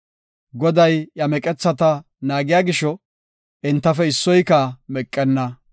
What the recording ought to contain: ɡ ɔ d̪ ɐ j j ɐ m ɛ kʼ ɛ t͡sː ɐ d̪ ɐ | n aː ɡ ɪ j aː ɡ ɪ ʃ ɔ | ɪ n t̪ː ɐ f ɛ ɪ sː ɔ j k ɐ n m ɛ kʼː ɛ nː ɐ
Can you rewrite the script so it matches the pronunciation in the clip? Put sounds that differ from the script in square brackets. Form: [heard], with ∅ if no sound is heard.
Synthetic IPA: ɡ ɔ d̪ ɐ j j ɐ m ɛ kʼ ɛ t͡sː ɐ [t̪] ɐ | n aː ɡ ɪ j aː ɡ ɪ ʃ ɔ | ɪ n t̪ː ɐ f ɛ ɪ sː ɔ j k ɐ [∅] m ɛ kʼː ɛ nː ɐ